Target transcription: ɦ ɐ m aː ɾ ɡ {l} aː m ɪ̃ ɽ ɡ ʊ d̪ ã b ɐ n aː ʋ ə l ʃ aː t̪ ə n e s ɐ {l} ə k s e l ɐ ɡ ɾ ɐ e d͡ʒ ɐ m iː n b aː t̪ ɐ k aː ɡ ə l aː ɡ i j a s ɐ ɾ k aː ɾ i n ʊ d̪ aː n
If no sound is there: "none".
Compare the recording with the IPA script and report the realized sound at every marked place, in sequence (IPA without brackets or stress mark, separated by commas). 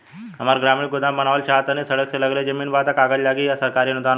ɾ, ɽ